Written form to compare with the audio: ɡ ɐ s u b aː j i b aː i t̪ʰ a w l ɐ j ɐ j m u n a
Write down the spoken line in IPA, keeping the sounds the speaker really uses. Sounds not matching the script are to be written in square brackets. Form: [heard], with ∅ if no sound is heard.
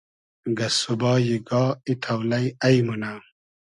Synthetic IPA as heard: ɡ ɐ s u b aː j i [ɡ] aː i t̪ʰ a w l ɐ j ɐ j m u n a